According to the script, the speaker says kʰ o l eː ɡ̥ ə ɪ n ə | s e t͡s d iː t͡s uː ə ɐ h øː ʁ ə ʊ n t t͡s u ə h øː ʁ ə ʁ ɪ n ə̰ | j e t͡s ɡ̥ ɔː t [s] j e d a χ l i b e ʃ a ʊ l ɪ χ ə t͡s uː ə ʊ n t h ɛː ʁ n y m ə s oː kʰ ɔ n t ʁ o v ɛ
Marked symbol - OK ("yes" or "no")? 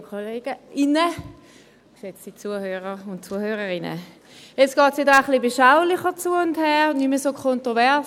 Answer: yes